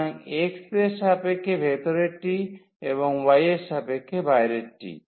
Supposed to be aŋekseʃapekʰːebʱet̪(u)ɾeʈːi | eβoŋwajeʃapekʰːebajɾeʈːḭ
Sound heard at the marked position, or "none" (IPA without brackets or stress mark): o